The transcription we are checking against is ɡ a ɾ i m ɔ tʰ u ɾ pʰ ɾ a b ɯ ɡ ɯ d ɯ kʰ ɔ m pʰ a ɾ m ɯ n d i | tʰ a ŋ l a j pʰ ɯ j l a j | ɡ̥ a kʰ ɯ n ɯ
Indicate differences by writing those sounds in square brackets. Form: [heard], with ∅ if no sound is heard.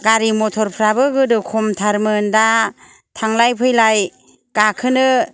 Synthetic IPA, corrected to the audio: ɡ a ɾ i m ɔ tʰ [ɔ] ɾ pʰ ɾ a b ɯ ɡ ɯ d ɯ kʰ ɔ m [tʰ] a ɾ m ɯ n d [a] | tʰ a ŋ l a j pʰ ɯ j l a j | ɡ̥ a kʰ ɯ n ɯ